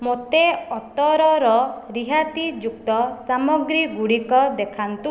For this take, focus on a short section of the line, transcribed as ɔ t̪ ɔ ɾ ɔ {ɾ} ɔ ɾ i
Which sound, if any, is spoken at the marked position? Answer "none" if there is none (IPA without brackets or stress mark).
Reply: ɾ